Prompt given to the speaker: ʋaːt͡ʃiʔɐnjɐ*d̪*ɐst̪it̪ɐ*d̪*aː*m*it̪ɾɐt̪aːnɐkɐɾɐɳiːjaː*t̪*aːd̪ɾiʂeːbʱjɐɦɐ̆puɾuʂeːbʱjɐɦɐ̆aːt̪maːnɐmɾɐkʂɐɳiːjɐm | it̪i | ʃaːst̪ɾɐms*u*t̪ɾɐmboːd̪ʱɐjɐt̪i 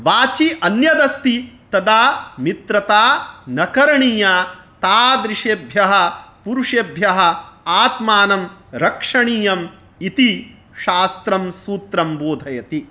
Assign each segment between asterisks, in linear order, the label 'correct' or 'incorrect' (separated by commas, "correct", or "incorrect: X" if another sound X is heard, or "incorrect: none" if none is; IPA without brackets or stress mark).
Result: correct, correct, correct, correct, incorrect: uː